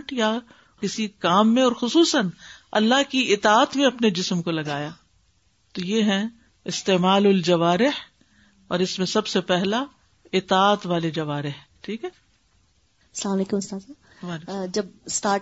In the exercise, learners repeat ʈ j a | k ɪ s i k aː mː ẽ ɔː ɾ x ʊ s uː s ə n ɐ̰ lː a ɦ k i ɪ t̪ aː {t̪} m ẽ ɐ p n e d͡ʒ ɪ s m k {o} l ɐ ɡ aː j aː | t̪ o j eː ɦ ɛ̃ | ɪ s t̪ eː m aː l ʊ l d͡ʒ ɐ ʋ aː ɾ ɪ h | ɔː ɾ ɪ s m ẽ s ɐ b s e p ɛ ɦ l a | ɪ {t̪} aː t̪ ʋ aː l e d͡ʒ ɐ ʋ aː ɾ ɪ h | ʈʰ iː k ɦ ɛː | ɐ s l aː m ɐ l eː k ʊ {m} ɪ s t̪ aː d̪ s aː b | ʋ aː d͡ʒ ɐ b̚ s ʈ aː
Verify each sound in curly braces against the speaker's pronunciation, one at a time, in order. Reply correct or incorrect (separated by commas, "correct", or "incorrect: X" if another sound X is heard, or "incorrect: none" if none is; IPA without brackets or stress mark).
correct, correct, correct, correct